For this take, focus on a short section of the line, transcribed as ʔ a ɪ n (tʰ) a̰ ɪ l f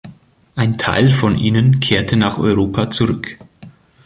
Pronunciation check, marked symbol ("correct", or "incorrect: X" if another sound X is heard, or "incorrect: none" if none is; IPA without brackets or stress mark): correct